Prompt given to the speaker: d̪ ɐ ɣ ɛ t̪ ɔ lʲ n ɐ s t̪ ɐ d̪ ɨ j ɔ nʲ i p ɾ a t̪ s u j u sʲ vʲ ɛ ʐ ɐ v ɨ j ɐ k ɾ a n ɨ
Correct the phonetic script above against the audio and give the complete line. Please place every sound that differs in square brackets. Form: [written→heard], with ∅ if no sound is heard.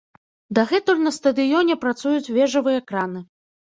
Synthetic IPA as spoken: d̪ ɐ ɣ ɛ t̪ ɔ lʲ n ɐ s t̪ ɐ d̪ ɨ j ɔ nʲ [i→ɛ] p ɾ a t̪ s u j u [sʲ→t͡sʲ] vʲ ɛ ʐ ɐ v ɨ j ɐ k ɾ a n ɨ

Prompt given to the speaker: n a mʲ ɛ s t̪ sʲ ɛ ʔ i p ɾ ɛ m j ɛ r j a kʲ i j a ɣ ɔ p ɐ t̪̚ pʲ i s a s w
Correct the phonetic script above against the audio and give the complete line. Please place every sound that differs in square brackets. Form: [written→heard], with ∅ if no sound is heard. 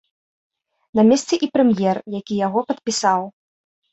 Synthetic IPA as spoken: n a mʲ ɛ s t̪ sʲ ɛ ʔ i p ɾ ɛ m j ɛ r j a kʲ i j a ɣ ɔ p ɐ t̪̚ pʲ i s a [s→∅] w

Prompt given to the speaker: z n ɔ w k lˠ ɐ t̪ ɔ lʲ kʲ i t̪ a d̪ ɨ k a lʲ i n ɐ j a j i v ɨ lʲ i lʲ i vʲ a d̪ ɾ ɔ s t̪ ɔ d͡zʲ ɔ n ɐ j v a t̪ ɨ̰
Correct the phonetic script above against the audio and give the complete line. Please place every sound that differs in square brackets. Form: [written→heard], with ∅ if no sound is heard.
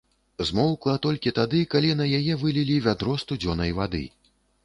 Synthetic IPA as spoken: z [n→m] ɔ w k lˠ ɐ t̪ ɔ lʲ kʲ i t̪ a d̪ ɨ k a lʲ i n ɐ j a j [i→ɛ] v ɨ lʲ i lʲ i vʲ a d̪ ɾ ɔ s t̪ [ɔ→u] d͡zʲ ɔ n ɐ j v a [t̪→d̪] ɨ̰

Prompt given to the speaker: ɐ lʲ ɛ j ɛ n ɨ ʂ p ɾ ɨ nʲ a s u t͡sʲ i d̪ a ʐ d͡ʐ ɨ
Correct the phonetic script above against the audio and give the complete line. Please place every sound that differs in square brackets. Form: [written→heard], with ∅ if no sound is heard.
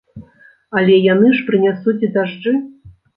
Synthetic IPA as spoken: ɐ lʲ ɛ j [ɛ→a] n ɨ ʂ p ɾ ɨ nʲ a s u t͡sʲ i d̪ a ʐ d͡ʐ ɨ

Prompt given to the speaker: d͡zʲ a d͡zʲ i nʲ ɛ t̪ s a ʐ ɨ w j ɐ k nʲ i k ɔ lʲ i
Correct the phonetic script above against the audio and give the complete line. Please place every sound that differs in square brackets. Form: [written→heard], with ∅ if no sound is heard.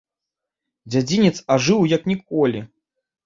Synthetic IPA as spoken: d͡zʲ a d͡zʲ i nʲ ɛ t̪ s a ʐ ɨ w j ɐ k nʲ i k ɔ lʲ i

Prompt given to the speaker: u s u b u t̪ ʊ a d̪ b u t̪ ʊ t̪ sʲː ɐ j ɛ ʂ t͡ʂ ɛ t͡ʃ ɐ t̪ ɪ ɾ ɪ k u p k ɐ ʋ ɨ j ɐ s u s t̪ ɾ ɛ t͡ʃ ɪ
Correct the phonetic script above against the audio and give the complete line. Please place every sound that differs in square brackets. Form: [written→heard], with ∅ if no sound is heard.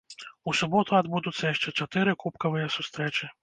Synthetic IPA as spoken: u s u b [u→ɔ] t̪ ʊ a d̪ b u [t̪→d̪] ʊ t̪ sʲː ɐ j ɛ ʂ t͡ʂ ɛ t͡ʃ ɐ t̪ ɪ ɾ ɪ k u p k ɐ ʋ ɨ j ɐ s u s t̪ ɾ ɛ t͡ʃ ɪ

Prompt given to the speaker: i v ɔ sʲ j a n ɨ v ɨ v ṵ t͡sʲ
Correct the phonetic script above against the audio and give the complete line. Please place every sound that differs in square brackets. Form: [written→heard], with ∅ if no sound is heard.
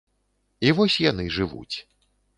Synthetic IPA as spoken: i v ɔ sʲ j a n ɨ [v→ʐ] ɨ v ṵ t͡sʲ

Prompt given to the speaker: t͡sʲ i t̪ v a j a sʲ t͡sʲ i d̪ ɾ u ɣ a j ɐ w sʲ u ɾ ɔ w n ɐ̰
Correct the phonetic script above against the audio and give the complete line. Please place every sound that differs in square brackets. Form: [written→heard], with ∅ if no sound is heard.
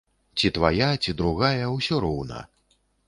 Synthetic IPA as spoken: t͡sʲ i t̪ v a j a [sʲ→∅] t͡sʲ i d̪ ɾ u ɣ a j ɐ w sʲ [u→ɔ] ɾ ɔ w n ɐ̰

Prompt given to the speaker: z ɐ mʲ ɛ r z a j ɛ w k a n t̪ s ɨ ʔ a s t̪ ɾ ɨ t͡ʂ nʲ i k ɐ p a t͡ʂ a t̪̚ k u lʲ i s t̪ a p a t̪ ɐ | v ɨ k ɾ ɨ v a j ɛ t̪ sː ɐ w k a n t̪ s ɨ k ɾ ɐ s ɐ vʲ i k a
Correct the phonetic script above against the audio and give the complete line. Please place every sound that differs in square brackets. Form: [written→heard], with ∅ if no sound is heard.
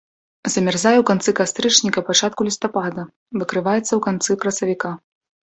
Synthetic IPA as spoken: z ɐ mʲ ɛ r z a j ɛ w k a n t̪ s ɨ [ʔ→k] a s t̪ ɾ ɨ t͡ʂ nʲ i k ɐ p a t͡ʂ a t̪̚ k u lʲ i s t̪ a p a [t̪→d̪] ɐ | v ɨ k ɾ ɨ v a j ɛ t̪ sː ɐ w k a n t̪ s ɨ k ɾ ɐ s ɐ vʲ i k a

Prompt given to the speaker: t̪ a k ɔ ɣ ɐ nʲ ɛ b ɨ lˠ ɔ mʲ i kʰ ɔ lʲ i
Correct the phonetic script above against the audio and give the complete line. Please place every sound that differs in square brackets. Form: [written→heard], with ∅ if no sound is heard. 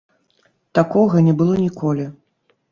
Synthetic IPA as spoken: t̪ a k ɔ ɣ ɐ nʲ ɛ b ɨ lˠ ɔ [mʲ→nʲ] i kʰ ɔ lʲ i

